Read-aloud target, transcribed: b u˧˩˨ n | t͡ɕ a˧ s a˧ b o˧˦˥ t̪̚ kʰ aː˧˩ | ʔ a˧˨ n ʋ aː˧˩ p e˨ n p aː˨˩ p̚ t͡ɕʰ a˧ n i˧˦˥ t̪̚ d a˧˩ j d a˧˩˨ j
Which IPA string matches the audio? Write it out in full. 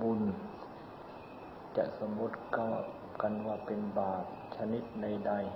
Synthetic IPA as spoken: b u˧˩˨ n | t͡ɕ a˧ s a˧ m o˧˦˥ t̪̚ k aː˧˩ | k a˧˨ n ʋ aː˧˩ p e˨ n b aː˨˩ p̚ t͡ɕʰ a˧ n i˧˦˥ t̪̚ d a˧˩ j d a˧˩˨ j